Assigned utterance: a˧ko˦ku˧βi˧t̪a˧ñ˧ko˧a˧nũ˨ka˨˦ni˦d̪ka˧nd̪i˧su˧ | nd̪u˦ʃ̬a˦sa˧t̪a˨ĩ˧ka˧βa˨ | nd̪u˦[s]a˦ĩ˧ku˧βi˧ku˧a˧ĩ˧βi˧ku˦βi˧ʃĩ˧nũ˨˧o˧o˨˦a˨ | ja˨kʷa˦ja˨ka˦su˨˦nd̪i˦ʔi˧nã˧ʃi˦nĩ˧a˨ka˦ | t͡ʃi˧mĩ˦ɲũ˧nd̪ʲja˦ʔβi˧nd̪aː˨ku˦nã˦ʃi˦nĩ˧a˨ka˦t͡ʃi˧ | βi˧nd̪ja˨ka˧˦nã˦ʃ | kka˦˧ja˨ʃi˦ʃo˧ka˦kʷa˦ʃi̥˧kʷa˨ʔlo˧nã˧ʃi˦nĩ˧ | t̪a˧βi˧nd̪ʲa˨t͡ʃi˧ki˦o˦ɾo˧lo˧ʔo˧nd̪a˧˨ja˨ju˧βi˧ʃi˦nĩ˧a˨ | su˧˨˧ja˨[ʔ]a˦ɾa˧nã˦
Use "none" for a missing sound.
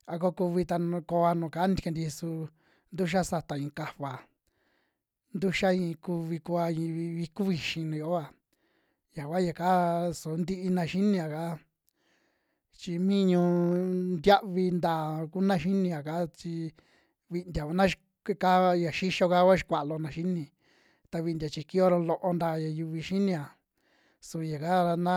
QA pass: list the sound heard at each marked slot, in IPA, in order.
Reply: ʃ, k

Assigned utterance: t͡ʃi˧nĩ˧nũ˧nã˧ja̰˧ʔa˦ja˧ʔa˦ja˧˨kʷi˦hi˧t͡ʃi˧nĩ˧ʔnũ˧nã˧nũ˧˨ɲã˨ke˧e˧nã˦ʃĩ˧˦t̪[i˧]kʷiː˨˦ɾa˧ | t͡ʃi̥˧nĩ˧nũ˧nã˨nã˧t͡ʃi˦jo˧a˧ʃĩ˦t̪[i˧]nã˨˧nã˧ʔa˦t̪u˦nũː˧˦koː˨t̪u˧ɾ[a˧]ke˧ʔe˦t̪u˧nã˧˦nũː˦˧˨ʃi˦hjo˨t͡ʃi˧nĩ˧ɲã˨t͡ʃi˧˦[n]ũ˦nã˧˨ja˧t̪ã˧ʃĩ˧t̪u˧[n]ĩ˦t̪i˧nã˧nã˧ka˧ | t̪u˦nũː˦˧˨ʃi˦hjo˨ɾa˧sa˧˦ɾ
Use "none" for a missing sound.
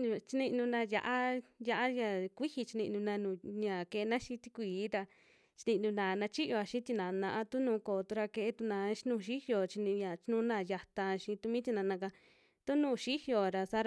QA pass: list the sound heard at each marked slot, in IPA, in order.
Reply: i˧, i˧, a˧, n, m

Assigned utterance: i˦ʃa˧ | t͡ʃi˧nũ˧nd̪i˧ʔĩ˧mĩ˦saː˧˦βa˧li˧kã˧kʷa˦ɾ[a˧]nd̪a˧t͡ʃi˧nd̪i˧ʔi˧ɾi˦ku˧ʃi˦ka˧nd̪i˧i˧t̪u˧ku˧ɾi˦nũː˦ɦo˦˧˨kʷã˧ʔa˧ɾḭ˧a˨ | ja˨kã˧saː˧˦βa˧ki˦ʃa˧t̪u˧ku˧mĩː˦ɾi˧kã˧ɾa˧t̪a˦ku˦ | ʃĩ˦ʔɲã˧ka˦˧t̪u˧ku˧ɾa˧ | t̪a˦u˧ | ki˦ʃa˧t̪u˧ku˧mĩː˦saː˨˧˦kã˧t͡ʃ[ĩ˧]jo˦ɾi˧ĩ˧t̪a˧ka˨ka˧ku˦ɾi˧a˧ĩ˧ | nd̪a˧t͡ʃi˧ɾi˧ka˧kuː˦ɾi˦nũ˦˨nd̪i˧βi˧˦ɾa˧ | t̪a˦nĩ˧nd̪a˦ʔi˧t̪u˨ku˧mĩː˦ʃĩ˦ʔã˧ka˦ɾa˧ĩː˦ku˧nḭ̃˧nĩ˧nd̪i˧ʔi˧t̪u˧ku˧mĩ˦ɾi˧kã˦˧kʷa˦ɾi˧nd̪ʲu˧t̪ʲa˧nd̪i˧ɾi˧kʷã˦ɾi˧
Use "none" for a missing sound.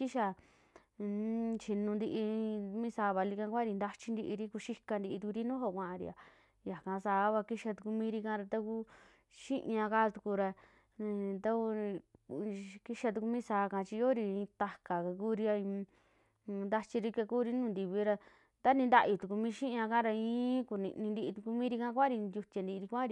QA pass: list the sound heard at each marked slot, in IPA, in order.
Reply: i˧, i˧

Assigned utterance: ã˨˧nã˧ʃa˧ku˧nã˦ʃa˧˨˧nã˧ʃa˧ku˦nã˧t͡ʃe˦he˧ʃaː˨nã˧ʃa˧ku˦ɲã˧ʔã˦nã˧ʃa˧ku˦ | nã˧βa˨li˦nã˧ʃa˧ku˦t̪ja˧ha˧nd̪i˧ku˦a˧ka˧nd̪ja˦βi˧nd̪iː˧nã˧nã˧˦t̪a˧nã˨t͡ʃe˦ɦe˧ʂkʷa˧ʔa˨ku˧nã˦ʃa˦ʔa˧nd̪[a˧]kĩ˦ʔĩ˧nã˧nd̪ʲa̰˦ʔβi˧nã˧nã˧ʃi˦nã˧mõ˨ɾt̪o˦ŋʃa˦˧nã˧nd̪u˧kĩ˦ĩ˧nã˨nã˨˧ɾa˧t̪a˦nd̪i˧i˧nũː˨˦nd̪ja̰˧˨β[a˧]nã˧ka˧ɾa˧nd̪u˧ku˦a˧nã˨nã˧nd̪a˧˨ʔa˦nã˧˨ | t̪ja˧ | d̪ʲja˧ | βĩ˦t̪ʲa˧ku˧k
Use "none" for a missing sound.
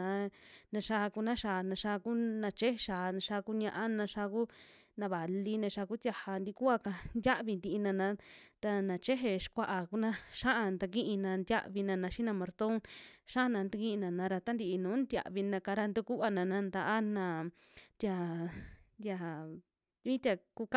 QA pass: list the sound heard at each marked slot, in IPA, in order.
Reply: a˧, i˧

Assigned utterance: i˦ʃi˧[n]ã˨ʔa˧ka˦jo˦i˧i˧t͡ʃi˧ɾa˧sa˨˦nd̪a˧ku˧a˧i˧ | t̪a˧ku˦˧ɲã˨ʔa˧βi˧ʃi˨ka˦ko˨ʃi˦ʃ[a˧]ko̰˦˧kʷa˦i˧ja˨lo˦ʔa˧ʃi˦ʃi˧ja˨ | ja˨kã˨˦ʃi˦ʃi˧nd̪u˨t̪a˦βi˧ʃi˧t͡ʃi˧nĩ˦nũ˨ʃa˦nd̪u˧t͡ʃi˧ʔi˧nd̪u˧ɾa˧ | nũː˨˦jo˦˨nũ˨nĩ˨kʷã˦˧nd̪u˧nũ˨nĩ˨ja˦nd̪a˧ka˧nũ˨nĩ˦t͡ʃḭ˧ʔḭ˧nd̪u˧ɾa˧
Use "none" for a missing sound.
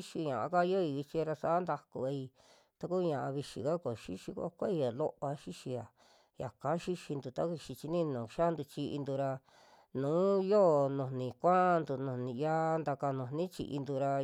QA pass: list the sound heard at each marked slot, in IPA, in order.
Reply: ɲ, i˧

